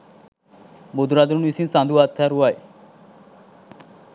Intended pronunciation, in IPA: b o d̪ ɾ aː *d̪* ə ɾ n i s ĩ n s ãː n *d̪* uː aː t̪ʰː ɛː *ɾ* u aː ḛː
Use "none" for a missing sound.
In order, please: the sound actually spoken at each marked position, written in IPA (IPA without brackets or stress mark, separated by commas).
d̪, d̪, ɾ